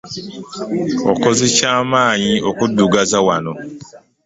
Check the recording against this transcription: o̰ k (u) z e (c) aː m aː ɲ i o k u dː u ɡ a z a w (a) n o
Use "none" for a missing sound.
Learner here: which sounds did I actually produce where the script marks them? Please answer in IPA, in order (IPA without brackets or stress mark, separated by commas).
o, c, a